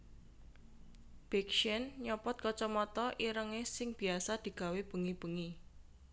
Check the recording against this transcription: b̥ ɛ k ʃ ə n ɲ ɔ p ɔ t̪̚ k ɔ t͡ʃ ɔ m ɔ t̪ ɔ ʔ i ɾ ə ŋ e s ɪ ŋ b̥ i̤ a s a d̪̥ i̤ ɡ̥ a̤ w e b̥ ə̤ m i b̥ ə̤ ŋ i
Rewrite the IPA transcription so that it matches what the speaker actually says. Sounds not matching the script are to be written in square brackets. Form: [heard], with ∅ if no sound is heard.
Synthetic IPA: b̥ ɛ k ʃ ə n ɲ ɔ p ɔ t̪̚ k ɔ t͡ʃ ɔ m ɔ t̪ ɔ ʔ i ɾ ə ŋ e s ɪ ŋ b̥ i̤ a s a d̪̥ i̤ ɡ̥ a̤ w e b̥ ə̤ [ŋ] i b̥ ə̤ ŋ i